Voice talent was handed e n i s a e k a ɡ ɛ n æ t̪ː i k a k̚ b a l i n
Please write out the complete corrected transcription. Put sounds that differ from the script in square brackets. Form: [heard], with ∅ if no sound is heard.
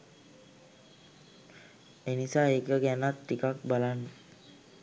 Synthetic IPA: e n i s a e k [ə] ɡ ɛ n [a] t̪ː i k a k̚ b a l [a] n

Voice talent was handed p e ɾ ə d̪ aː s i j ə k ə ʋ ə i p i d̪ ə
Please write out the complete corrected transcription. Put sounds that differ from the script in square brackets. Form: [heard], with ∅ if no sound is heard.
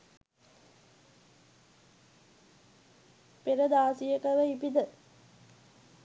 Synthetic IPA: p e ɾ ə d̪ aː s i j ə k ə ʋ ə i p i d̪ ə

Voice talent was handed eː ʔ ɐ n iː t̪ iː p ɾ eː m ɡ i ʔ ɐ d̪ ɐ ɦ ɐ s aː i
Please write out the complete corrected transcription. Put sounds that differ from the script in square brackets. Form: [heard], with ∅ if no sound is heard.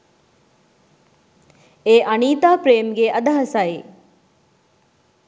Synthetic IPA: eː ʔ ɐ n iː t̪ [aː] p ɾ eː m ɡ [e] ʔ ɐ d̪ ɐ ɦ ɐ s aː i

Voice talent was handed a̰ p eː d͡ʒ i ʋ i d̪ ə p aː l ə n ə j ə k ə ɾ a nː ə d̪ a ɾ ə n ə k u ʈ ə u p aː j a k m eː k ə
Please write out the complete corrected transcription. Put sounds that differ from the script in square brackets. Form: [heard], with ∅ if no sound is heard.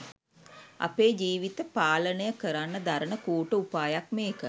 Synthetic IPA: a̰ p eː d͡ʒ [iː] ʋ i [t̪] ə p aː l ə n ə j ə k ə ɾ a nː ə d̪ a ɾ ə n ə k [uː] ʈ ə u p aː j a k m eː k ə

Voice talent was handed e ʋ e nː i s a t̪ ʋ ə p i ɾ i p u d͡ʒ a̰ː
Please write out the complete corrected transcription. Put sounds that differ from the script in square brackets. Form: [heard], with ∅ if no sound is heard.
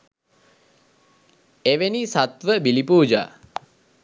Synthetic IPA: e ʋ e [n] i s a t̪ ʋ ə [b] i [l] i p [uː] d͡ʒ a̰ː

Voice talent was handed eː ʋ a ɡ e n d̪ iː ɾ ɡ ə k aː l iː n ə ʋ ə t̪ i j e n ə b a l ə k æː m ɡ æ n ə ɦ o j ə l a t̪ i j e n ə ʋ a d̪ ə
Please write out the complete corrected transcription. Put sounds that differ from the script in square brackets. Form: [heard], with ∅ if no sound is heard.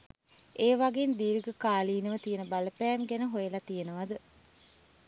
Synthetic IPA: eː ʋ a ɡ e n d̪ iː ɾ ɡ ə k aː l iː n ə ʋ ə t̪ i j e n ə b a l ə [p] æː m ɡ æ n ə ɦ o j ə l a t̪ i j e n ə ʋ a d̪ ə

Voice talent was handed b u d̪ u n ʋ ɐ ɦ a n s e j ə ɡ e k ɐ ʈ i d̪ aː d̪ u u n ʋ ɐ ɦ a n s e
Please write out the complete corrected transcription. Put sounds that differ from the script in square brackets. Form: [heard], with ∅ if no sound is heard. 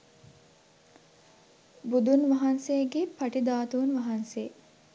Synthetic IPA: b u d̪ u n ʋ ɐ ɦ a n s e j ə ɡ e [p] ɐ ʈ i d̪ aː [t̪] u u n ʋ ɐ ɦ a n s e

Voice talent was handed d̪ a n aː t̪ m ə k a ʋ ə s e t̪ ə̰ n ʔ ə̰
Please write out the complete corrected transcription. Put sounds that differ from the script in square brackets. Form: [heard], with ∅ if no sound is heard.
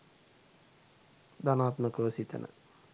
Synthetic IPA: d̪ a n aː t̪ m ə k [ə] ʋ ə s [i] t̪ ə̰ n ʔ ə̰

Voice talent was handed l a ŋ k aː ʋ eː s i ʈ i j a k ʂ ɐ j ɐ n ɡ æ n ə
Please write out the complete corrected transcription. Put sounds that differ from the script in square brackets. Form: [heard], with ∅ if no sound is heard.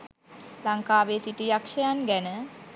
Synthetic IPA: l a ŋ k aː ʋ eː s i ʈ i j a k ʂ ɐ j [a] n ɡ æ n ə

